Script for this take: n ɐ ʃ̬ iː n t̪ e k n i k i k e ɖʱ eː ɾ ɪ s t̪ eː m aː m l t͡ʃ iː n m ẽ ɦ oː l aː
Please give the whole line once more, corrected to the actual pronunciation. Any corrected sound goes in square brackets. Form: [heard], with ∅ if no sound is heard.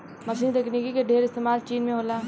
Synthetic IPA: [m] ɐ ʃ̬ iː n t̪ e k n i k i k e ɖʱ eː ɾ ɪ s t̪ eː m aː [∅] l t͡ʃ iː n m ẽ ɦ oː l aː